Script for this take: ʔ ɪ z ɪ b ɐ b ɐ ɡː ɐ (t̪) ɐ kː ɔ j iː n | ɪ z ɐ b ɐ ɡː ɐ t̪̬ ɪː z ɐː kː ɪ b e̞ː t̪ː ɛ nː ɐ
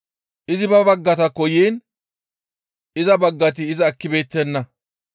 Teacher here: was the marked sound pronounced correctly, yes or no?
yes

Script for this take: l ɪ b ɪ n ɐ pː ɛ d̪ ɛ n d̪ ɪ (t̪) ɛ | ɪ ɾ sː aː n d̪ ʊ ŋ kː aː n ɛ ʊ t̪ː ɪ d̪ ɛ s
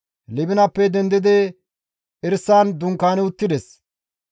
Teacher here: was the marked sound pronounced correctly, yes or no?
no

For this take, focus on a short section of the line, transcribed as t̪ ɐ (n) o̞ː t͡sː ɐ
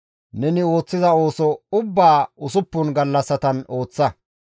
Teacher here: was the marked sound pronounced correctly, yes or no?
yes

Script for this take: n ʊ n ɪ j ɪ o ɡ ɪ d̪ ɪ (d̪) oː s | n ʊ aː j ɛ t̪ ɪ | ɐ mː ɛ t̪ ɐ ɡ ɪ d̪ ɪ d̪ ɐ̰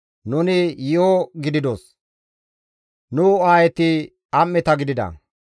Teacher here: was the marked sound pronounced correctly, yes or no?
yes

